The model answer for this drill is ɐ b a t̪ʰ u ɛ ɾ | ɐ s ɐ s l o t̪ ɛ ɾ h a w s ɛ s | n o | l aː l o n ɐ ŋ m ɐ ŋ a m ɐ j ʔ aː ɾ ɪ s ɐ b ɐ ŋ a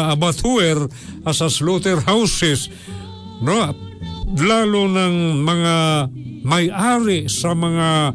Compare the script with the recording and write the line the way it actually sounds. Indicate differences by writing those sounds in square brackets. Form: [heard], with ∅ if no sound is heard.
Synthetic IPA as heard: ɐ b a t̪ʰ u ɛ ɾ | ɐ s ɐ s l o t̪ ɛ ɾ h a w s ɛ s | n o | l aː l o n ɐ ŋ m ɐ ŋ a m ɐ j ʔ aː ɾ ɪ s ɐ [m] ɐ ŋ a